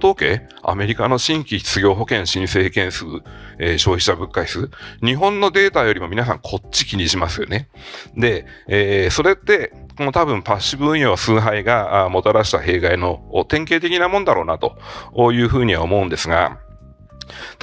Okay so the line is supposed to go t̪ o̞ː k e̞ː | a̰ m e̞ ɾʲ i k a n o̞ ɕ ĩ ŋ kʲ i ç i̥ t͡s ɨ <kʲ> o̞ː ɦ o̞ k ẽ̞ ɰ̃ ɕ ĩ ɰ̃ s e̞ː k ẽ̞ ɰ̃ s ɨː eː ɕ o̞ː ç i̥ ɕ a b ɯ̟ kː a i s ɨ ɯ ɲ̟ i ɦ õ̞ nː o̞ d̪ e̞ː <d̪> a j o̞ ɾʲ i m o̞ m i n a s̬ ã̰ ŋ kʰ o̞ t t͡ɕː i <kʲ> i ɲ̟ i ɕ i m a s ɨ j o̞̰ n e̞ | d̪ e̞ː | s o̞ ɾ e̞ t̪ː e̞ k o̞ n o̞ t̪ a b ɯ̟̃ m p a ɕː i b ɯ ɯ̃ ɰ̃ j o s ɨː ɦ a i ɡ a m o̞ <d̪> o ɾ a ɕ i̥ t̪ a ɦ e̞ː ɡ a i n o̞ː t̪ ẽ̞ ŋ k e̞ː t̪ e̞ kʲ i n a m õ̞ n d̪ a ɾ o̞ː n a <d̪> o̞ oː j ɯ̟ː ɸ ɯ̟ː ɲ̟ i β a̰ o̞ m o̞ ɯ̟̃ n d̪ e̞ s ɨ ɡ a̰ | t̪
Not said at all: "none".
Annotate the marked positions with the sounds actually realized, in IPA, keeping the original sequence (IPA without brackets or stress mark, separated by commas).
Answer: ɡʲ, t̪, kʲ, t̪, t̪